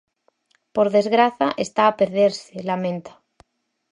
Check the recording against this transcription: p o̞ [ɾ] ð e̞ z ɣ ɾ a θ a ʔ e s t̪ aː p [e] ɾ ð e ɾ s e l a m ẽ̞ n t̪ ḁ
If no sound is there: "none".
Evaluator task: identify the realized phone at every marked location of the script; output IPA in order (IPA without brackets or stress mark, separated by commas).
ɾ, e